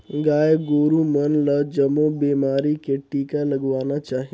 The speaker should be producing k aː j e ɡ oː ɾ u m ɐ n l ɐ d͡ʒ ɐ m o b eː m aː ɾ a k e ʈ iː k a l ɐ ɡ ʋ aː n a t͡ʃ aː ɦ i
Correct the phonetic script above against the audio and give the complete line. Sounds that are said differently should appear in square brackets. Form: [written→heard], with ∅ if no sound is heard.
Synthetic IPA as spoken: [k→ɡ] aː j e ɡ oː ɾ u m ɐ n l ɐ d͡ʒ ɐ m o b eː m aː ɾ [a→i] k e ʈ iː k a l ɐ ɡ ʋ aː n a t͡ʃ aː ɦ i